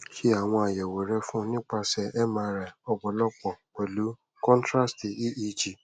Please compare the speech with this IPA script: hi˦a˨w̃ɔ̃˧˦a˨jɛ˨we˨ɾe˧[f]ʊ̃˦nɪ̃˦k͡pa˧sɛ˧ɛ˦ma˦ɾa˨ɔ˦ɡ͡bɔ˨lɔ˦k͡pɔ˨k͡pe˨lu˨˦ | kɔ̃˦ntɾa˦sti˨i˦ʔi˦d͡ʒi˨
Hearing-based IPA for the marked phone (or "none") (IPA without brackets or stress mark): f